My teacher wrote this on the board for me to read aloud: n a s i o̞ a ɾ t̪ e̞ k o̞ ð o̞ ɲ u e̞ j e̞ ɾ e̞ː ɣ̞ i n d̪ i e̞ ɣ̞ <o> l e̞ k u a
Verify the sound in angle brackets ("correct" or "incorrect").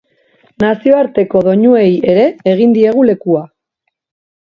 incorrect